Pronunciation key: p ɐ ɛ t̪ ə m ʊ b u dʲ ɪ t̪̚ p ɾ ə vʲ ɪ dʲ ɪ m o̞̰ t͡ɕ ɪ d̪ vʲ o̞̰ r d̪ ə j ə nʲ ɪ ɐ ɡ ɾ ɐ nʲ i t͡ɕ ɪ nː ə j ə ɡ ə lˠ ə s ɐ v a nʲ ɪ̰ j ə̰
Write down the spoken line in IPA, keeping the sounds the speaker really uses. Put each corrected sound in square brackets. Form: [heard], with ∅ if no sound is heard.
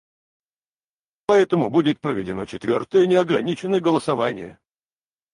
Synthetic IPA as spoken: p ɐ ɛ t̪ ə m ʊ b u dʲ ɪ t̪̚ p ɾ ə vʲ ɪ dʲ ɪ [n] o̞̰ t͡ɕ ɪ [t̪] vʲ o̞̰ r [t̪] ə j ə nʲ ɪ ɐ ɡ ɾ ɐ nʲ i t͡ɕ ɪ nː ə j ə ɡ ə lˠ ə s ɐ v a nʲ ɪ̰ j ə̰